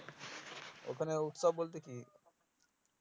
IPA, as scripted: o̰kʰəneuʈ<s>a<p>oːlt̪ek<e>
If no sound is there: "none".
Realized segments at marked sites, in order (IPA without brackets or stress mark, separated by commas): s, b, i